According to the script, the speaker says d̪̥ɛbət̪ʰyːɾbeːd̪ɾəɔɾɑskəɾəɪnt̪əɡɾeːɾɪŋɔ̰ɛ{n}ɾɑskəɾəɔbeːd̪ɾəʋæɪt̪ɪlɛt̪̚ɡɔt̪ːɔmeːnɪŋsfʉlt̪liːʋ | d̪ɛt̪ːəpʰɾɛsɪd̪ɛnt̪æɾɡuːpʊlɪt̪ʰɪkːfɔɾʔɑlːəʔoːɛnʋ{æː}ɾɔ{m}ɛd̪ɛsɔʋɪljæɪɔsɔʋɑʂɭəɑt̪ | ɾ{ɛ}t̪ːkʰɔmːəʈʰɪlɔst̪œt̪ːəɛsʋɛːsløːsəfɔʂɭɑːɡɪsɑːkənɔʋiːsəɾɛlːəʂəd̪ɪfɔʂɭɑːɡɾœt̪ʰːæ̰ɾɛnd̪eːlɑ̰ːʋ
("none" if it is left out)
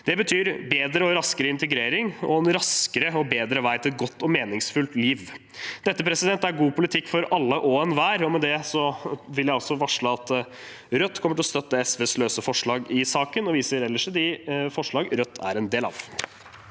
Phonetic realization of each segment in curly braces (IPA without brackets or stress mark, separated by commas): n, æː, m, œ